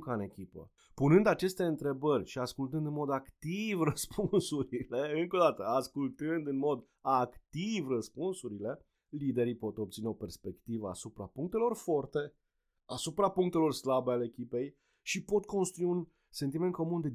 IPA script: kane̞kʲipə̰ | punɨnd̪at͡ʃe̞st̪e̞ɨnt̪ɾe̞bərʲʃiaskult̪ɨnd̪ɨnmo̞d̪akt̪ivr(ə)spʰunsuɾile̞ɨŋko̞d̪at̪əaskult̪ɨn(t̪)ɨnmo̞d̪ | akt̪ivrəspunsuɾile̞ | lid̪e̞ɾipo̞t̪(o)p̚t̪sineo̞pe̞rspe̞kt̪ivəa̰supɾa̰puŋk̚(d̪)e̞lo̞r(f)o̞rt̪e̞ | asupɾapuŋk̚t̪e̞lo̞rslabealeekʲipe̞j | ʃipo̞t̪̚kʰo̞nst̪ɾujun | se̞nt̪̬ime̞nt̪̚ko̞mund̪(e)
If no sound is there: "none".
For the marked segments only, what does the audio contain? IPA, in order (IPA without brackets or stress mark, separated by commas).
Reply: ə, d̪, o, t̪, f, e